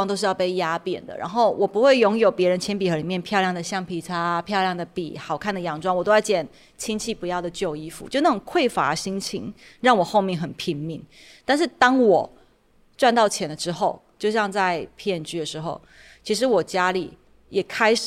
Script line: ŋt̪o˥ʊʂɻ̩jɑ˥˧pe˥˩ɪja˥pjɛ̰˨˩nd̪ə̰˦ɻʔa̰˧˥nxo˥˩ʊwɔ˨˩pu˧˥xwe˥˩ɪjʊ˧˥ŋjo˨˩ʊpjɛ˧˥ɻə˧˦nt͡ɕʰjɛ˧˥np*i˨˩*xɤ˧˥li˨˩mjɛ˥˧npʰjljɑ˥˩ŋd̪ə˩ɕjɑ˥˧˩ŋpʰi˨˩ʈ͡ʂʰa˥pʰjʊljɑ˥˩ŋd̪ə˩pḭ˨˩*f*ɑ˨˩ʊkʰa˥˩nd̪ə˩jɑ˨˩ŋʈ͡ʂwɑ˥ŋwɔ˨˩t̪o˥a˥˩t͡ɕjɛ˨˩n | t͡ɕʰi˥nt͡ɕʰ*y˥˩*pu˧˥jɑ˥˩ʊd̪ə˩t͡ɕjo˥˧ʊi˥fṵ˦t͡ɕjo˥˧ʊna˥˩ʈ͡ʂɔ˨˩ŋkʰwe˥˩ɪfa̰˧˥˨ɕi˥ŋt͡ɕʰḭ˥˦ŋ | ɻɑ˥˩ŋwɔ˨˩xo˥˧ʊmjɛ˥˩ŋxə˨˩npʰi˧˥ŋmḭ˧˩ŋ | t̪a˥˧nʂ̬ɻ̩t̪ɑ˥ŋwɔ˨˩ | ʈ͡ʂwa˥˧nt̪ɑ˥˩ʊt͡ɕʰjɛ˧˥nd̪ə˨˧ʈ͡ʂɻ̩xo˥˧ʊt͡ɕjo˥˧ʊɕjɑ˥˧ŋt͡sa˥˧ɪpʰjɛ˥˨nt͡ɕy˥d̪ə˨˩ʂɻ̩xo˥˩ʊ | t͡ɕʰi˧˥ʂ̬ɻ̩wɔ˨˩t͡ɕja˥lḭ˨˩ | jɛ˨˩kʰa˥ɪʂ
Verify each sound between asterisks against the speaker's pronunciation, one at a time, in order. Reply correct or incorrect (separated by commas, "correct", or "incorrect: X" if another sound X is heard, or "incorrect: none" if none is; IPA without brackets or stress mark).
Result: correct, incorrect: x, incorrect: i˥˩